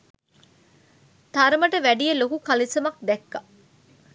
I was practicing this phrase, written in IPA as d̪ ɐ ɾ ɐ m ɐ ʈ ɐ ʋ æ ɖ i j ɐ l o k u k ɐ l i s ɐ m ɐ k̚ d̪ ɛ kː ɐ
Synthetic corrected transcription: t̪ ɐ ɾ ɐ m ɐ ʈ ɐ ʋ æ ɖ i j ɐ l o k u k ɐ l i s ɐ m ɐ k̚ d̪ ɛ kː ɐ